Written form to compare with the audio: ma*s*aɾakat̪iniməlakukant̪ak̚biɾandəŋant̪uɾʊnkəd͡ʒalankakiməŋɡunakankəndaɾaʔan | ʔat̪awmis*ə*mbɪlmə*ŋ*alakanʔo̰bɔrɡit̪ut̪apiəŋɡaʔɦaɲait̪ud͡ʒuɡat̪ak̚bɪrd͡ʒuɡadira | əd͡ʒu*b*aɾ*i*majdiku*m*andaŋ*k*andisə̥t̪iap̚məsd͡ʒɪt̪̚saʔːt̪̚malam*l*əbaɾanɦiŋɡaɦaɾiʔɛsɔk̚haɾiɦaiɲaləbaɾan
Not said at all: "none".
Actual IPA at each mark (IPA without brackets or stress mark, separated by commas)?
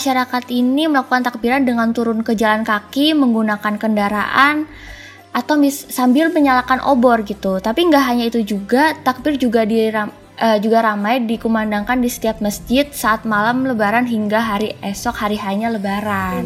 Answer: ʃ, a, ɲ, ɡ, a, m, k, l